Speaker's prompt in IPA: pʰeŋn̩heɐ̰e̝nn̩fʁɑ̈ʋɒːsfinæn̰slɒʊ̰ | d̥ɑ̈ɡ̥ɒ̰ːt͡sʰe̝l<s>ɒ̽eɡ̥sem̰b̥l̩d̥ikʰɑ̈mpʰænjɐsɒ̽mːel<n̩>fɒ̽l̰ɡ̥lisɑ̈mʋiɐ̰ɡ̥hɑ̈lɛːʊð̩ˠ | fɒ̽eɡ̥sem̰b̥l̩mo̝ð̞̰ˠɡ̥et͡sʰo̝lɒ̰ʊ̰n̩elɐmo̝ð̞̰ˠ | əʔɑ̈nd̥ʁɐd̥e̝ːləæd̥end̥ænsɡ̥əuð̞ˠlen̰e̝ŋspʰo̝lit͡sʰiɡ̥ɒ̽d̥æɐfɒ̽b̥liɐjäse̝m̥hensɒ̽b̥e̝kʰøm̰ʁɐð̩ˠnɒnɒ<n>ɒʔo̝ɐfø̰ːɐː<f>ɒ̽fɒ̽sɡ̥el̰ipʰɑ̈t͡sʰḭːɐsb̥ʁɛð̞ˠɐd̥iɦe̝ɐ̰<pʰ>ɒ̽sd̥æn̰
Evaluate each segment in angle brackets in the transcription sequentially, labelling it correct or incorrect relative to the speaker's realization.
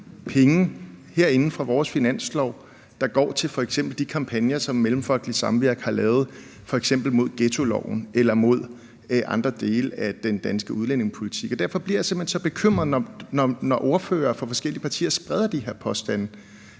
incorrect: f, incorrect: m̩, correct, correct, correct

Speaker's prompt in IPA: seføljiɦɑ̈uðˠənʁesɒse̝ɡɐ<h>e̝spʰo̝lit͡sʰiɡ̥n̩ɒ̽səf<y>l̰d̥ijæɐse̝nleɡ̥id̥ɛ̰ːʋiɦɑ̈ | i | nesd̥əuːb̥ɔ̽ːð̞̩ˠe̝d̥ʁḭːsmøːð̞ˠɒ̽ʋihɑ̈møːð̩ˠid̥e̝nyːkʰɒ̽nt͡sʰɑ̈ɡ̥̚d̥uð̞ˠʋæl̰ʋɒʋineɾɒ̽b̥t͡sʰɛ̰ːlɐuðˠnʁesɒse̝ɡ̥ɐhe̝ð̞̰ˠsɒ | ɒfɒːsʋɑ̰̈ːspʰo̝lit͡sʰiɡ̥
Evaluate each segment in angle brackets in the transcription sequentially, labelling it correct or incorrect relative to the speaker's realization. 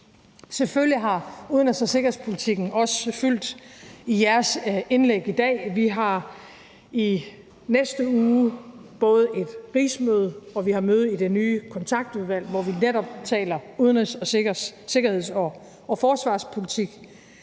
correct, correct

